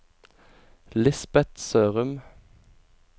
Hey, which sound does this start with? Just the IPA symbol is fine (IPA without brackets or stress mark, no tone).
l